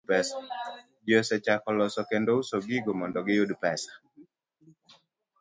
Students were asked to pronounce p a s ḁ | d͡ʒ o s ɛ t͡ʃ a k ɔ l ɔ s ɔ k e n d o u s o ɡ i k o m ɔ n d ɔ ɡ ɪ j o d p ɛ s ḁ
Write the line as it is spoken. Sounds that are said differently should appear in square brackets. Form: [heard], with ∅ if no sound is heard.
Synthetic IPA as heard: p [ɛ] s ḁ | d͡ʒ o s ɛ t͡ʃ a k ɔ l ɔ s ɔ k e n d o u s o ɡ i [ɡ] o m ɔ n d ɔ ɡ ɪ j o d p ɛ s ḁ